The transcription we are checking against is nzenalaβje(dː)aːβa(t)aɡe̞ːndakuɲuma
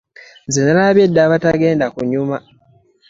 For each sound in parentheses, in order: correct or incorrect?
correct, correct

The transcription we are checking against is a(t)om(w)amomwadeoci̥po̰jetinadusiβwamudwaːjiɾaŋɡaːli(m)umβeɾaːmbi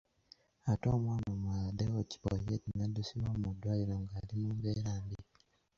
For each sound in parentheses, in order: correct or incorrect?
correct, correct, correct

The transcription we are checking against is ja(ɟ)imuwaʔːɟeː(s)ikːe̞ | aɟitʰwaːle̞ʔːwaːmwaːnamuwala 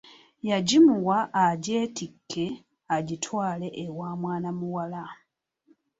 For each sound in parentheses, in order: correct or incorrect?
correct, incorrect: t

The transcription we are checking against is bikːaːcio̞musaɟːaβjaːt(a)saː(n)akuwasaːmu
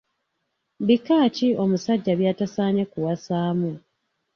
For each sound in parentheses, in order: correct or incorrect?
correct, incorrect: ɲ

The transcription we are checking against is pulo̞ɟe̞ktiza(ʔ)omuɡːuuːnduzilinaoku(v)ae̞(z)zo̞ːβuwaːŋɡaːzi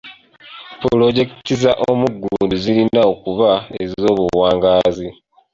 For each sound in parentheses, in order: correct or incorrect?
correct, incorrect: β, correct

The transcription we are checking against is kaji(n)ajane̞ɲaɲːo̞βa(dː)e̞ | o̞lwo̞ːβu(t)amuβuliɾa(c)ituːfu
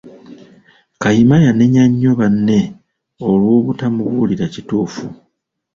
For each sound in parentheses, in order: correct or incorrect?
incorrect: m, incorrect: nː, correct, correct

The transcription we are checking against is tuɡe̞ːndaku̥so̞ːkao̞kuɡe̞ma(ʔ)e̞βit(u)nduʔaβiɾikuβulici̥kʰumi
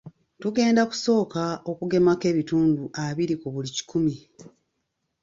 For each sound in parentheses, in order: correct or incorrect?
incorrect: k, incorrect: uː

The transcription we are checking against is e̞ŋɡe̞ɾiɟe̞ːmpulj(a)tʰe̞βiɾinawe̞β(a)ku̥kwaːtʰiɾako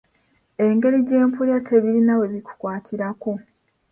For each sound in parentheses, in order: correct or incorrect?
correct, incorrect: i

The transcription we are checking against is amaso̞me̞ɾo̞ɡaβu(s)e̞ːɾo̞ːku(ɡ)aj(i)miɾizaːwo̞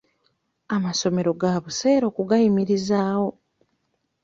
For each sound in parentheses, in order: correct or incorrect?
correct, correct, correct

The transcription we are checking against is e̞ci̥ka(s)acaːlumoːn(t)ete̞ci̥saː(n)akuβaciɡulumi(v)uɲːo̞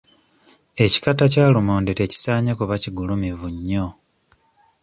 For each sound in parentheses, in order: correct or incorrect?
incorrect: t, incorrect: d, incorrect: ɲ, correct

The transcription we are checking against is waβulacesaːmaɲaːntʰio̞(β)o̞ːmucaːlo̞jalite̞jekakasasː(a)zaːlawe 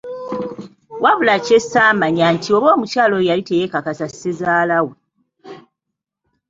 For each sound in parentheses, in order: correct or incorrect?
correct, incorrect: e

